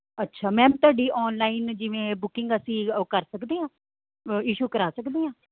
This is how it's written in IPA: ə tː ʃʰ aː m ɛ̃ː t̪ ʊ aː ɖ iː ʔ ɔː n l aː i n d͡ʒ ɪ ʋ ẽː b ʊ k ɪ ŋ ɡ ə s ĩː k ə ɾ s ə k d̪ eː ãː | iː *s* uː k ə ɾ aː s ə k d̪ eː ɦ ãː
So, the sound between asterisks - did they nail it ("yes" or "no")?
no